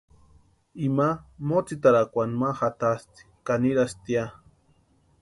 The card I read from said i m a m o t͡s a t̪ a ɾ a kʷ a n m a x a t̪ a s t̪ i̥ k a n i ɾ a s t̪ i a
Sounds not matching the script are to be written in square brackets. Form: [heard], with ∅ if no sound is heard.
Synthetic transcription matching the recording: i m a m o t͡s [i] t̪ a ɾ a kʷ a n m a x a t̪ a s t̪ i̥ k a n i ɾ a s t̪ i a